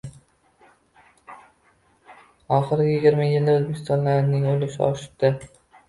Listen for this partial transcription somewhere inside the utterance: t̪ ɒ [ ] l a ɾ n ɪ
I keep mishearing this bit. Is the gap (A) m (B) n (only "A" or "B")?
B